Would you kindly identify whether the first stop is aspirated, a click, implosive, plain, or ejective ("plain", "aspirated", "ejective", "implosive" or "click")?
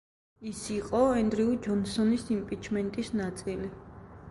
ejective